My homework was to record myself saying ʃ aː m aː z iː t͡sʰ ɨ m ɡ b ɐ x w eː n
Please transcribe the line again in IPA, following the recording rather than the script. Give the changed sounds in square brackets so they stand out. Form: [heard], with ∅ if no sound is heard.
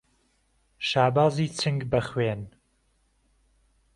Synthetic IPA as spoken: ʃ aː [b] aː z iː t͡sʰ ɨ [ŋ] ɡ b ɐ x w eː n